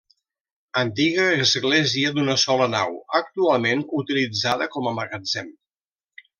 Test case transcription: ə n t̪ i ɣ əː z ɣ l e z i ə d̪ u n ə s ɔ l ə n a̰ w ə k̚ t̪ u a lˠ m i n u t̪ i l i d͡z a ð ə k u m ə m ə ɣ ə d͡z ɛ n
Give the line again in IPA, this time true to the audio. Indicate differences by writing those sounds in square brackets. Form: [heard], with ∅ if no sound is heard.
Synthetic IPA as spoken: ə n t̪ i ɣ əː z ɣ l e z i ə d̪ u n ə s ɔ l ə n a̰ w ə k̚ t̪ u a lˠ m [e] n u t̪ i l i d͡z a ð ə k [ɔ] m ə m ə ɣ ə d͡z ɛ [m]